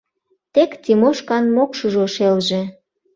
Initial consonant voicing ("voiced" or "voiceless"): voiceless